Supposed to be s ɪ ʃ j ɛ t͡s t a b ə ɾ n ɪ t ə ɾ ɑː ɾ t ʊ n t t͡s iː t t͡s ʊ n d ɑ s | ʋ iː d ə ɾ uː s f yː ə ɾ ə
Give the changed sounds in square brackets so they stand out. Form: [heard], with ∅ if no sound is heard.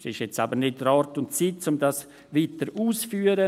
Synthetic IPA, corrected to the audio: s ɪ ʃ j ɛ t͡s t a b ə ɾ n ɪ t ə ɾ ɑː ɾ t ʊ n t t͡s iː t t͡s ʊ [m] d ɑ s | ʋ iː [t] ə ɾ uː s f yː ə ɾ ə